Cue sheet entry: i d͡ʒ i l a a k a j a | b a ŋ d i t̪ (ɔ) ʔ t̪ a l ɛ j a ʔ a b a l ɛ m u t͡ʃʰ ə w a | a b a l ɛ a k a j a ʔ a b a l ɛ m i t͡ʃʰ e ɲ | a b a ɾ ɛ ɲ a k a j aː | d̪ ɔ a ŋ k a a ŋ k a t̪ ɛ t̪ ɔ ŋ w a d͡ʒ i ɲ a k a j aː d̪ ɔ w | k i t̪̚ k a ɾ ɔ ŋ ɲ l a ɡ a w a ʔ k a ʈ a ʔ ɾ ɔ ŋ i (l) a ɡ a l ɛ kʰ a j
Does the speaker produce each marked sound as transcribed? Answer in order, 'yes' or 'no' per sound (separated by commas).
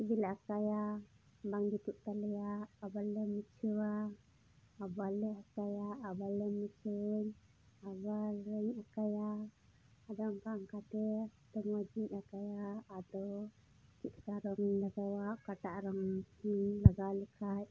no, yes